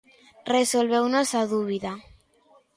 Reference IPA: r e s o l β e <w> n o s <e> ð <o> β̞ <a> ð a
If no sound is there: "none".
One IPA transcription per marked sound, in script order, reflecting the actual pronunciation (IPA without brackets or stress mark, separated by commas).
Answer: w, a, u, i